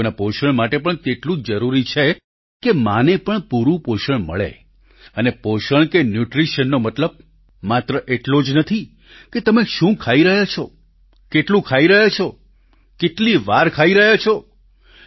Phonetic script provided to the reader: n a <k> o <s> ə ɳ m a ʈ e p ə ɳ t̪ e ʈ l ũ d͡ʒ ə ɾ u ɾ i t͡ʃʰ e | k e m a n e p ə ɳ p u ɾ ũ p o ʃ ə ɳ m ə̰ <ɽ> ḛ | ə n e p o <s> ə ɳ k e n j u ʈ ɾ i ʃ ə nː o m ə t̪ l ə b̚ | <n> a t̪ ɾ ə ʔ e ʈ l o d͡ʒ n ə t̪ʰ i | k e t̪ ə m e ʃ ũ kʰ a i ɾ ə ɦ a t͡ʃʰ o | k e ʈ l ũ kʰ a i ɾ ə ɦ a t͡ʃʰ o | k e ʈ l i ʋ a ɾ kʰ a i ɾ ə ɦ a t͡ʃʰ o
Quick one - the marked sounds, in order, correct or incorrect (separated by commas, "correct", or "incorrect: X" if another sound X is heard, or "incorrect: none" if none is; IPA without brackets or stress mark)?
incorrect: p, incorrect: ʃ, incorrect: ɭ, incorrect: ʃ, incorrect: m